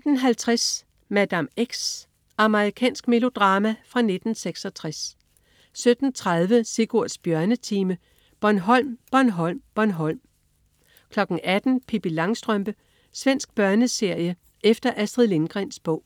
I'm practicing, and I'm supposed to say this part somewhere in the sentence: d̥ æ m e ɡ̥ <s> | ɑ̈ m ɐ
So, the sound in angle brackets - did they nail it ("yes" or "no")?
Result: yes